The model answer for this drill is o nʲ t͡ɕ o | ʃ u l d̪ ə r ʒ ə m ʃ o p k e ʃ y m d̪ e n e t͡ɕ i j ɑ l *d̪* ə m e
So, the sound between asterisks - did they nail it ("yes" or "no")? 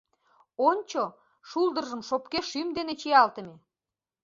no